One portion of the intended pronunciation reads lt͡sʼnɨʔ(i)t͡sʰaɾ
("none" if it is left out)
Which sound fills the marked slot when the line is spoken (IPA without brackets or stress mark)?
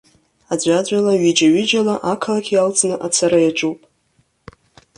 a